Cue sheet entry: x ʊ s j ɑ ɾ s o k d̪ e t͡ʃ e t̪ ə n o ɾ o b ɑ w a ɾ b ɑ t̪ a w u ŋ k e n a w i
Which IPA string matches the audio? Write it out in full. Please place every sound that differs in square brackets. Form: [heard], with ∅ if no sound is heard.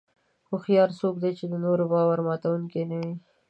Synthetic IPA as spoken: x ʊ [x] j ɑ ɾ s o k d̪ e t͡ʃ e [d̪] ə n o ɾ o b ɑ w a ɾ [m] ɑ t̪ a w u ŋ k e n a w i